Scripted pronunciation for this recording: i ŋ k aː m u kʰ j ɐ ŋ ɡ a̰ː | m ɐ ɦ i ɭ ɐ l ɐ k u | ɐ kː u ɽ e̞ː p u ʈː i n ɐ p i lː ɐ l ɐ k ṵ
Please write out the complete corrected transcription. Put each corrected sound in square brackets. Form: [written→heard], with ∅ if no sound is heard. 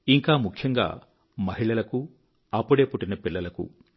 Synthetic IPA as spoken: i ŋ k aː m u kʰ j ɐ ŋ ɡ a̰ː | m ɐ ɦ i ɭ ɐ l ɐ k u | ɐ [kː→pː] u ɽ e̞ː p u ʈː i n ɐ p i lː ɐ l ɐ k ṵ